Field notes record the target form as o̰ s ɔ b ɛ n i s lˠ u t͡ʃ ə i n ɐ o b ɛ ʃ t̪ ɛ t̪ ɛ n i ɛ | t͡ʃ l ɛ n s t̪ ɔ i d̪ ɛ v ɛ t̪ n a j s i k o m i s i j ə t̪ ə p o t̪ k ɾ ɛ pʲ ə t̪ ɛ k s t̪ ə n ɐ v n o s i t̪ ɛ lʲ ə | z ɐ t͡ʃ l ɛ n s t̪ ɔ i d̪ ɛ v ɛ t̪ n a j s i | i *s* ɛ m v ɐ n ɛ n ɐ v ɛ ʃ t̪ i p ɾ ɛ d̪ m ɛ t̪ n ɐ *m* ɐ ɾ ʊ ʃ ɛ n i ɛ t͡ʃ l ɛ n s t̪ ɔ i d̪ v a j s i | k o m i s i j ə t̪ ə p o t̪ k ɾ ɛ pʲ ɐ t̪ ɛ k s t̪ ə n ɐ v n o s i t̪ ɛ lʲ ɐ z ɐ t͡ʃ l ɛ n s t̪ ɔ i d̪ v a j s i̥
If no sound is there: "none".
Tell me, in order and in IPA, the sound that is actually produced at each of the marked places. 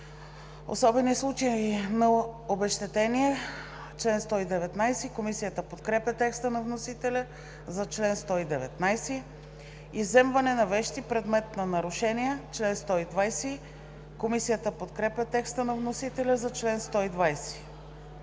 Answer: z, n

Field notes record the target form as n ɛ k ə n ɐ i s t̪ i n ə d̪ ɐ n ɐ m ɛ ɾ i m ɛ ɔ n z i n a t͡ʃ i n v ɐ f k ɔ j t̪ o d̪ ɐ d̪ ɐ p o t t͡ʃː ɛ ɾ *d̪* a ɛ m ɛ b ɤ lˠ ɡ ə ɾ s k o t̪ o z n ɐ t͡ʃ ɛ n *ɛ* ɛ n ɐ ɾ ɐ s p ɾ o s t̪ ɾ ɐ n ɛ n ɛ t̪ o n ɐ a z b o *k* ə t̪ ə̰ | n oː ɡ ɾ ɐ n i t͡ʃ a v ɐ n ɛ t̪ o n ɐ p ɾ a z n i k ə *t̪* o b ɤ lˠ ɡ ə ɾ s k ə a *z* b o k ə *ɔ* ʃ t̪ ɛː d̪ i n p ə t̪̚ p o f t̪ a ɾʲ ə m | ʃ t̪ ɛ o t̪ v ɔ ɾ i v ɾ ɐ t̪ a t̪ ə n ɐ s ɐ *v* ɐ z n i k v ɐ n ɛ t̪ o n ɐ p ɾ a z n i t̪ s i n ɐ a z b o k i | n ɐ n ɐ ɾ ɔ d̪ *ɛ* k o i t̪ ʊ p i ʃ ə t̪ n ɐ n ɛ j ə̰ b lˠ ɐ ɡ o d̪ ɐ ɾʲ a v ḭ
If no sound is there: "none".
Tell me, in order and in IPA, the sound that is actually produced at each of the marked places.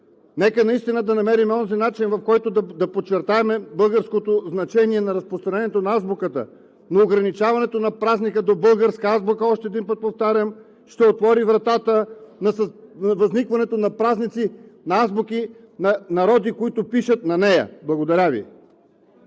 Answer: t̪, i, k, d̪, z, ɔ, v, i

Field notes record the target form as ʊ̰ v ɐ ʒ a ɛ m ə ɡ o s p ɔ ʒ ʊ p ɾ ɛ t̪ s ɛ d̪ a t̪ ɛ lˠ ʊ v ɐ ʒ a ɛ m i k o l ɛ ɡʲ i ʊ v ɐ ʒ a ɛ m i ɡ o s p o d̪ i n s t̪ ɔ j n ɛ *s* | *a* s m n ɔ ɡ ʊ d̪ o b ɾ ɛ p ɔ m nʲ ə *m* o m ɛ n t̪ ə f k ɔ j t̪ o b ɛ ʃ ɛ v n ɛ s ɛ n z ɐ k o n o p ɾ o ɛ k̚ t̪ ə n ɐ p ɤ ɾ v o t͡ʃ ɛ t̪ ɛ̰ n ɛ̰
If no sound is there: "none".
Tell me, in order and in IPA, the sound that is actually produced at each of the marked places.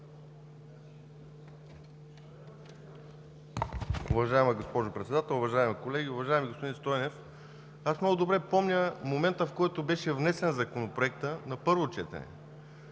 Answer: f, a, m

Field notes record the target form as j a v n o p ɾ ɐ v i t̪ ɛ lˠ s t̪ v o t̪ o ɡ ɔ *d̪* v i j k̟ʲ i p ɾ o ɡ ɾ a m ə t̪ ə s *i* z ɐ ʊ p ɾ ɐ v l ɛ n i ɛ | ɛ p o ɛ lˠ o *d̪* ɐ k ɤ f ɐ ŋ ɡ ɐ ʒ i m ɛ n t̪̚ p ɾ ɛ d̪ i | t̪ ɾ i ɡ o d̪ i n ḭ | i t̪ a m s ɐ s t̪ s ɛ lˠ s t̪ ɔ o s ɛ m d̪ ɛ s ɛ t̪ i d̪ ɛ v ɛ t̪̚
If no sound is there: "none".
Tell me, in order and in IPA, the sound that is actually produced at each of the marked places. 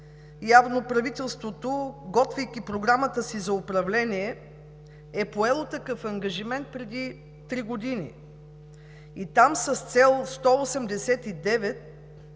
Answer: t̪, i, t̪

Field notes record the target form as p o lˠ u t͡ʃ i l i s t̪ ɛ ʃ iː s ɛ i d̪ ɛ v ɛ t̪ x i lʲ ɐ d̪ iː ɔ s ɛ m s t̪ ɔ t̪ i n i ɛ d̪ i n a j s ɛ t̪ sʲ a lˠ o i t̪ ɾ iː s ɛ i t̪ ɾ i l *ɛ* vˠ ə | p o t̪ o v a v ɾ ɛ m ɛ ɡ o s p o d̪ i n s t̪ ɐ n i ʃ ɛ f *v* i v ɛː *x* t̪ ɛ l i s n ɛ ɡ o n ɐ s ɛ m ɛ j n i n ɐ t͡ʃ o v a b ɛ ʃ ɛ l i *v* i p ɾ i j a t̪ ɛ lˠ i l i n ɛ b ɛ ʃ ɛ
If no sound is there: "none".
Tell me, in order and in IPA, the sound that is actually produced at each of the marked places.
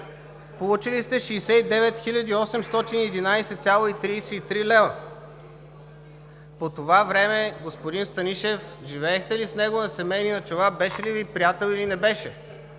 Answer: ɛ, ʒ, x, v

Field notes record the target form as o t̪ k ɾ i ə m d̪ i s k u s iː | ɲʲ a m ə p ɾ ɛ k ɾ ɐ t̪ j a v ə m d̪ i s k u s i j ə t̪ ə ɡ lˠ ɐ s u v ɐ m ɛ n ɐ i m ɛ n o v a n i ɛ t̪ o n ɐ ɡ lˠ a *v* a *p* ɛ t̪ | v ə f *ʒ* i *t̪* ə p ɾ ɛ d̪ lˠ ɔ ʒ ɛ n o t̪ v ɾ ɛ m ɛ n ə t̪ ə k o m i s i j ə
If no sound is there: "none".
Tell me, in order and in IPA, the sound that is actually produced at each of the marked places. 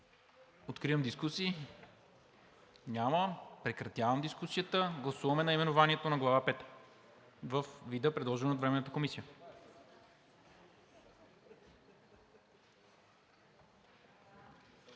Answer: v, p, v, d̪

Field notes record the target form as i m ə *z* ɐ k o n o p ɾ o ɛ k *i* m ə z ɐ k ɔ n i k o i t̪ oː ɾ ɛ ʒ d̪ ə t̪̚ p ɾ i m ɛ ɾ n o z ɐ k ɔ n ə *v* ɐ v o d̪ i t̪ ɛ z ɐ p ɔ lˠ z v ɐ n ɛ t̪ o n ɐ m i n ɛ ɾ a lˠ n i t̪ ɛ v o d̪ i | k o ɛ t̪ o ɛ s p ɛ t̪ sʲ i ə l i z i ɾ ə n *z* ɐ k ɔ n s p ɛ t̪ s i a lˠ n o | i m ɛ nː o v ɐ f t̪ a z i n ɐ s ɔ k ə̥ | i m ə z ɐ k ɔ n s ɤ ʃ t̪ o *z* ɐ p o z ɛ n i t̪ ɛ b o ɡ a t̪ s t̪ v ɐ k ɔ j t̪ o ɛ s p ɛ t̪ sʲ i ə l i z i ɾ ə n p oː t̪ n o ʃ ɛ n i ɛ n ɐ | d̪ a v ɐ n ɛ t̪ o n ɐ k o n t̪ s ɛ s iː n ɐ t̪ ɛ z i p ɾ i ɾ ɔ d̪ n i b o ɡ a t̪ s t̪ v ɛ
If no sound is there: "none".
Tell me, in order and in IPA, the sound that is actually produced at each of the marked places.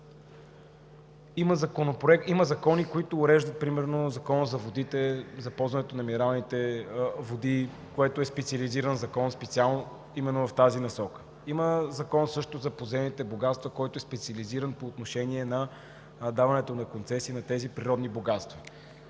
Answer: z, i, z, z, z

